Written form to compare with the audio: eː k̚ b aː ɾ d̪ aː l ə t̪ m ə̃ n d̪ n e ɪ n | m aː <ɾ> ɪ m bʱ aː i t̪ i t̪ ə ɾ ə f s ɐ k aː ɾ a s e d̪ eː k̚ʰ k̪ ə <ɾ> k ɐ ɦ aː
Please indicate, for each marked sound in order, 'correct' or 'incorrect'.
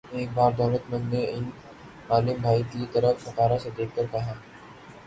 incorrect: l, correct

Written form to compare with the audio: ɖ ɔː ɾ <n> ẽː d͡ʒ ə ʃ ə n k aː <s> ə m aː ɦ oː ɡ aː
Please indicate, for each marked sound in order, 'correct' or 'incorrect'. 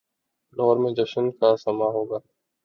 incorrect: m, correct

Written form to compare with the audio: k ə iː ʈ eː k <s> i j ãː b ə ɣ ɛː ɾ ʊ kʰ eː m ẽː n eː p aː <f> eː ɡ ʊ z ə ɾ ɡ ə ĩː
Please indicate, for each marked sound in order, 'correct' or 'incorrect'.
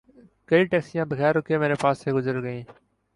correct, incorrect: s

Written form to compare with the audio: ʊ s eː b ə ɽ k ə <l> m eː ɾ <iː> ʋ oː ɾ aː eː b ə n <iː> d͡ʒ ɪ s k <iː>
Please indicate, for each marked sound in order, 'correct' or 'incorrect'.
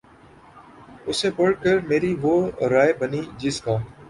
incorrect: ɾ, correct, correct, incorrect: aː

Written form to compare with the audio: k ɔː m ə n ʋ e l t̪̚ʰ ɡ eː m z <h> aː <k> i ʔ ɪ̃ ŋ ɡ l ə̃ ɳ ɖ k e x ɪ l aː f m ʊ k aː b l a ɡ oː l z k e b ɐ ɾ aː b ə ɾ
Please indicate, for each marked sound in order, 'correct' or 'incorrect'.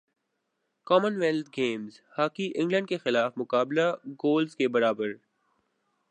correct, correct

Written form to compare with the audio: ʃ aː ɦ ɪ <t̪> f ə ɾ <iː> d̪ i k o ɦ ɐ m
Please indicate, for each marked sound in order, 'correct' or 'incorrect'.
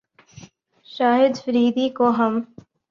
incorrect: d̪, correct

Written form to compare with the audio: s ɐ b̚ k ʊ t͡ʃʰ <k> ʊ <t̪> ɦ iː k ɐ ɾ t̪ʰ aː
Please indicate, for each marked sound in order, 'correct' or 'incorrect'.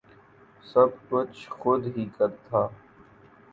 incorrect: x, incorrect: d̪

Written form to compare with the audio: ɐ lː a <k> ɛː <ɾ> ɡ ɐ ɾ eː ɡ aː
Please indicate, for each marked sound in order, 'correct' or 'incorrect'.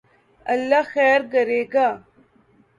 incorrect: x, correct

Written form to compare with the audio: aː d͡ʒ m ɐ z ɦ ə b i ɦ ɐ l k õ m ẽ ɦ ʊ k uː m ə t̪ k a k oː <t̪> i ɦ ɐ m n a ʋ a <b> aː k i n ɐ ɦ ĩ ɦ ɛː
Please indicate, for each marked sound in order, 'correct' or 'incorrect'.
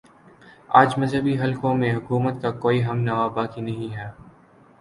incorrect: none, correct

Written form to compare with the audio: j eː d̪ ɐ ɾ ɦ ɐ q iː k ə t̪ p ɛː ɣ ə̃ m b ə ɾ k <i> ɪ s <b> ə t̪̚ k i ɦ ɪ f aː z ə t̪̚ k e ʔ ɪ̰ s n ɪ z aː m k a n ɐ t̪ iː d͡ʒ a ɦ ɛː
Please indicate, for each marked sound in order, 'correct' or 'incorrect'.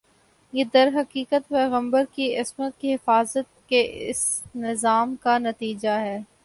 correct, incorrect: m

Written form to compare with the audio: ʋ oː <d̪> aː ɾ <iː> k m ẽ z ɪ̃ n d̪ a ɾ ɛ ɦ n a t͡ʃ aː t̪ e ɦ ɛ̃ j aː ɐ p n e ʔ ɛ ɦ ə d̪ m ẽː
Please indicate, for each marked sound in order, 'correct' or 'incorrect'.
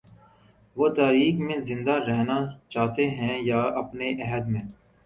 incorrect: t̪, correct

